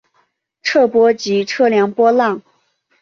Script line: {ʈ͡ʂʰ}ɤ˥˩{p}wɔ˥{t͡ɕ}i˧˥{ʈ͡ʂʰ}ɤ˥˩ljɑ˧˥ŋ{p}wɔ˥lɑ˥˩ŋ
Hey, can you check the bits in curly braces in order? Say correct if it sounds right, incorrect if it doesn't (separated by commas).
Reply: correct, correct, correct, correct, correct